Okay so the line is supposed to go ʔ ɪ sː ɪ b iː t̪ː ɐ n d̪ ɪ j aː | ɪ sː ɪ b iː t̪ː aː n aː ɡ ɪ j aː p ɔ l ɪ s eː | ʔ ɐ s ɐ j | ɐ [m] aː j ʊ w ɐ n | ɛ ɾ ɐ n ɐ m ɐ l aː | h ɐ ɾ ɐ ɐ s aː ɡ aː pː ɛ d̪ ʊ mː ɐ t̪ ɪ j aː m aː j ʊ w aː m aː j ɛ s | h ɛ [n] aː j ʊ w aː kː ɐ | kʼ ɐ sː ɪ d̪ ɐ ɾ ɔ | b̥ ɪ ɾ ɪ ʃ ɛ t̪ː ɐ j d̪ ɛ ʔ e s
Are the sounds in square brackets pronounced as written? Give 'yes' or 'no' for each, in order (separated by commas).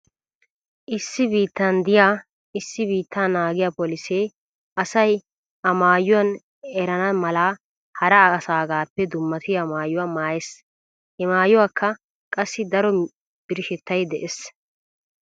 yes, no